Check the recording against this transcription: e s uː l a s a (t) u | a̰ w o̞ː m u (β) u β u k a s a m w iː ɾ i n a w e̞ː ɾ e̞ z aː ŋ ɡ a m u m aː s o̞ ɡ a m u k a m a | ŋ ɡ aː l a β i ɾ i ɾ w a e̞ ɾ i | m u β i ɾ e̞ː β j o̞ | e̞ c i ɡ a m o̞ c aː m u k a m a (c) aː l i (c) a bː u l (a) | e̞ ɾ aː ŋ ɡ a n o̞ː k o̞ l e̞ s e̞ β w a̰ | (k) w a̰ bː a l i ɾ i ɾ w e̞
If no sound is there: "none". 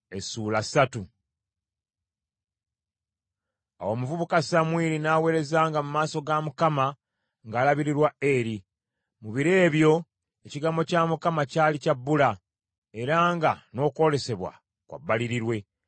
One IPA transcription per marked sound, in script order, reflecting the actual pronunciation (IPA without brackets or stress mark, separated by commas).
t, v, c, c, a, k